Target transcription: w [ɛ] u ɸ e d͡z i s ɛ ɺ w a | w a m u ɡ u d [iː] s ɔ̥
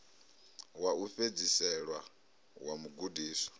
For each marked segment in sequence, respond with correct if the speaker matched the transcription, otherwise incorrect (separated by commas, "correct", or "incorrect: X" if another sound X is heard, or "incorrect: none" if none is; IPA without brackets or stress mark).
incorrect: a, correct